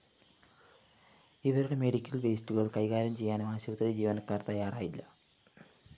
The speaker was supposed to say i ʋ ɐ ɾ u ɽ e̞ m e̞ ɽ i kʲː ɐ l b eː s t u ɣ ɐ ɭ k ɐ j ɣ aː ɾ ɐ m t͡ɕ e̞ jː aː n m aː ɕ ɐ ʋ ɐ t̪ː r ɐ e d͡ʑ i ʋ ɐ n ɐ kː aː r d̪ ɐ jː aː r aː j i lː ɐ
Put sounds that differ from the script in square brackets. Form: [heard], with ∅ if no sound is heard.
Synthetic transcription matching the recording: i ʋ ɐ ɾ u ɽ e̞ m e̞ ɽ i kʲː ɐ l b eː s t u ɣ ɐ ɭ k ɐ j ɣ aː ɾ ɐ m t͡ɕ e̞ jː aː n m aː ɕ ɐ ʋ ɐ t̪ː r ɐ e d͡ʑ [iː] ʋ ɐ n ɐ kː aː r [t̪] ɐ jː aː r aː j i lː ɐ